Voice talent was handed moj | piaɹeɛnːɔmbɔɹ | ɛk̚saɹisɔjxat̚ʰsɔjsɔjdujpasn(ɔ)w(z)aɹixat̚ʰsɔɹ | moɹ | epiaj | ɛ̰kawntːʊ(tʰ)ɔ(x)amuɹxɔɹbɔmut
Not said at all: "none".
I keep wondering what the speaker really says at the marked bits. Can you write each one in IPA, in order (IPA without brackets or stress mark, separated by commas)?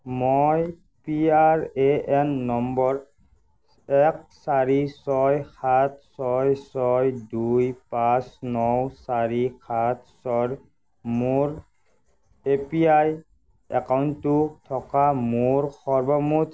ɔ, s, tʰ, k